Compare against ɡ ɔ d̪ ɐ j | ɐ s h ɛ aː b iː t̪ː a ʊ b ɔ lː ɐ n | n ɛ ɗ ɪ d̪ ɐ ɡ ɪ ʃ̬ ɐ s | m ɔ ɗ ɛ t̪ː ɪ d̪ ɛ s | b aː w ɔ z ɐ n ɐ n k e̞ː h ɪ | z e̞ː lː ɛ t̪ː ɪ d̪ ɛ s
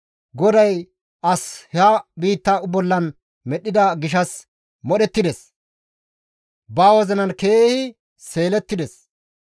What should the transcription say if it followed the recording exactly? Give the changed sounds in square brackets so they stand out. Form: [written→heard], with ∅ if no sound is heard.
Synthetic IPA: ɡ ɔ d̪ ɐ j | ɐ s h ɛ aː b iː t̪ː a ʊ b ɔ lː ɐ n | [n→m] ɛ ɗ ɪ d̪ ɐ ɡ ɪ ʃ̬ ɐ s | m ɔ ɗ ɛ t̪ː ɪ d̪ ɛ s | b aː w ɔ z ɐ n ɐ n k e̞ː h ɪ | [z→s] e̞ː [lː→l] ɛ t̪ː ɪ d̪ ɛ s